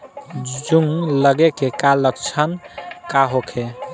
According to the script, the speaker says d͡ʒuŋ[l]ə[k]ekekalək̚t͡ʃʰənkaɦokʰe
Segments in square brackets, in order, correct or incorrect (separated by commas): correct, incorrect